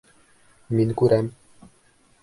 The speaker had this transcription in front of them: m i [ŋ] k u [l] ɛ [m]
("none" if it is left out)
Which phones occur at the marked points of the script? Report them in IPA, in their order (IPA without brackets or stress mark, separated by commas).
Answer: n, ɾ, m